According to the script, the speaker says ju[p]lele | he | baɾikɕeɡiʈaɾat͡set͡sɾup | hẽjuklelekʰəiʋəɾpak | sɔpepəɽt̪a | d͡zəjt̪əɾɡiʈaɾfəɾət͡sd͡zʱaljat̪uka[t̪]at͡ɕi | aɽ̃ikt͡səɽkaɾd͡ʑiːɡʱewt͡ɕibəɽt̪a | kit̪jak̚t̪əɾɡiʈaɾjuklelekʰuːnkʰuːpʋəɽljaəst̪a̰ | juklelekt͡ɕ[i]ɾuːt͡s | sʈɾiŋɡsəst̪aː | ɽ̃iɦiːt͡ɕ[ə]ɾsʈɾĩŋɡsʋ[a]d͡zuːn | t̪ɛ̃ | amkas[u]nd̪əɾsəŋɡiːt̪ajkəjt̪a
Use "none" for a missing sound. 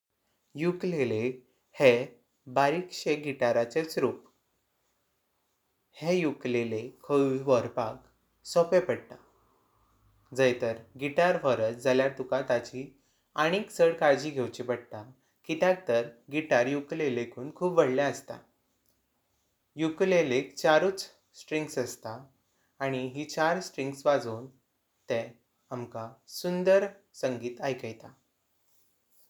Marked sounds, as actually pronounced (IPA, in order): k, t̪, a, a, a, u

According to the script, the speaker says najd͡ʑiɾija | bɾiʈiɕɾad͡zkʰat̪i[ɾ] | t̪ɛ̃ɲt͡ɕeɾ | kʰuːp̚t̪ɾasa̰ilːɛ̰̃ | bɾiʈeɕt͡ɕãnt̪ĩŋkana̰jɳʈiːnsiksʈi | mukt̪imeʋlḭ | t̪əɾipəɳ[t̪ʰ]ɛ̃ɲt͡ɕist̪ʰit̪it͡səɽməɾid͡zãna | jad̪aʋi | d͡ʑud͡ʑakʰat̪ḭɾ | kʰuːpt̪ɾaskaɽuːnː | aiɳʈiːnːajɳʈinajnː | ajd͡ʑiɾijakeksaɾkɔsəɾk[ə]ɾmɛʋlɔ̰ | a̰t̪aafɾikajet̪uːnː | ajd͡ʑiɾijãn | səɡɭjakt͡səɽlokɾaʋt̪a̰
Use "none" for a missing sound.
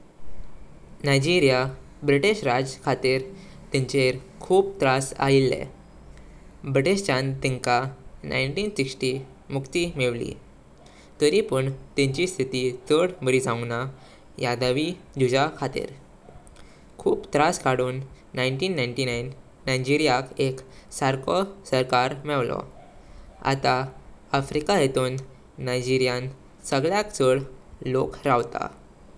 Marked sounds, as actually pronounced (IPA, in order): ɾ, t̪, a

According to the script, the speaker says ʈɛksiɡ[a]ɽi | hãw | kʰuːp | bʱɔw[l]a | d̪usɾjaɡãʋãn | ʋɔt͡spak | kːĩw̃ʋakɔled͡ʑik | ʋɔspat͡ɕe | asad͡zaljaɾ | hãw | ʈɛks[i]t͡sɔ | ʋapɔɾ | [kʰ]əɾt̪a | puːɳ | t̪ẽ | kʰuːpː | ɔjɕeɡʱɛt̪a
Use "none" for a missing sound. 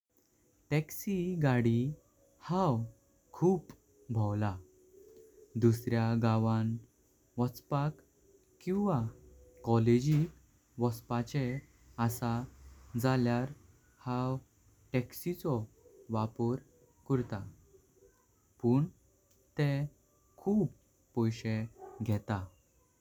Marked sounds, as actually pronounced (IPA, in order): a, l, i, k

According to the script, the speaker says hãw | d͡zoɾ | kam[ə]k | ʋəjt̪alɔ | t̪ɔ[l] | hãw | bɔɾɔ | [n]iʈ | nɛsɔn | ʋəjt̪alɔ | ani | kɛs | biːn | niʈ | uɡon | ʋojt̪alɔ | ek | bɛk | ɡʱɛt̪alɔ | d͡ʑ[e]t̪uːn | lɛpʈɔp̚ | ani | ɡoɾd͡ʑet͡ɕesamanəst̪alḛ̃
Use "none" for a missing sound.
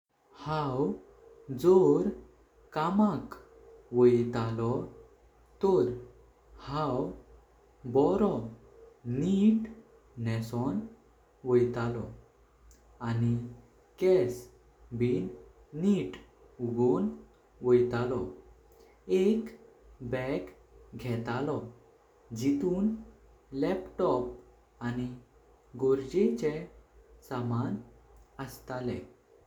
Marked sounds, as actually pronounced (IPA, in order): a, ɾ, n, i

